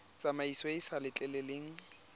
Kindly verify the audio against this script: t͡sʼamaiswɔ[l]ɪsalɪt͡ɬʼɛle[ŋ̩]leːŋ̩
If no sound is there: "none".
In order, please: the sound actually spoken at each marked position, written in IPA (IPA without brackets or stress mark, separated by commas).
none, none